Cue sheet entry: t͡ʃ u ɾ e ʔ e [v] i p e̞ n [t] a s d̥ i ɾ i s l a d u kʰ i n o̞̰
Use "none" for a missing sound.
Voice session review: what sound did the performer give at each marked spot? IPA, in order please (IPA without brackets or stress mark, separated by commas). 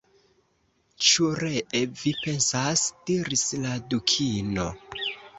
v, s